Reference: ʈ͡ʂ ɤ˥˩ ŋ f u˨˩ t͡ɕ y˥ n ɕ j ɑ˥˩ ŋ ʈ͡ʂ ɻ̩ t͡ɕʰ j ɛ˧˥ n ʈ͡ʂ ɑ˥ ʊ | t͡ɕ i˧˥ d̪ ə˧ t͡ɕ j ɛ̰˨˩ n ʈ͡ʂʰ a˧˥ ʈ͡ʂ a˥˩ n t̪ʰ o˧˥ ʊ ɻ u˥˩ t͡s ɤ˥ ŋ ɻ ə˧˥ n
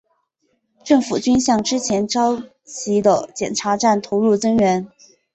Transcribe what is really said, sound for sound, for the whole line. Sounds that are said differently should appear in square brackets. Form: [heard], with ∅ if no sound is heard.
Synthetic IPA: ʈ͡ʂ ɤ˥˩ ŋ f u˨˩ t͡ɕ y˥ n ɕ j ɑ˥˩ ŋ ʈ͡ʂ ɻ̩ t͡ɕʰ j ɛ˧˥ n ʈ͡ʂ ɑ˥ ʊ | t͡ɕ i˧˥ d̪ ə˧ t͡ɕ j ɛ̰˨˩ n ʈ͡ʂʰ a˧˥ ʈ͡ʂ a˥˩ n t̪ʰ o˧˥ ʊ ɻ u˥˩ t͡s ɤ˥ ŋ ɻ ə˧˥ n